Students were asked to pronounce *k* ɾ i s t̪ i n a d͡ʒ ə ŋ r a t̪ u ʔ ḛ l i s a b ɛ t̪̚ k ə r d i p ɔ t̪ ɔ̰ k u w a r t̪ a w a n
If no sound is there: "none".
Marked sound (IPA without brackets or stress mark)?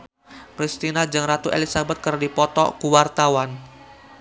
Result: p